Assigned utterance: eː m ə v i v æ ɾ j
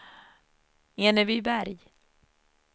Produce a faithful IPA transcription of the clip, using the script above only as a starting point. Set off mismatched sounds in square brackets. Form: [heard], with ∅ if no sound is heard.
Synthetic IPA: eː [n] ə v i [b] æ ɾ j